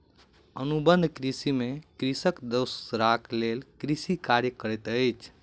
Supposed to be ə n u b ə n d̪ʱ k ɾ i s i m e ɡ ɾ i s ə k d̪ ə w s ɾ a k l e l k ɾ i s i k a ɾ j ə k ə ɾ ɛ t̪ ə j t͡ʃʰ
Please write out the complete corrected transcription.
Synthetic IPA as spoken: ə n u b ə n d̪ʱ k ɾ i s i m e k ɾ i s ə k d̪ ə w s ɾ a k l e l k ɾ i s i k a ɾ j ə k ə ɾ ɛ t̪ ə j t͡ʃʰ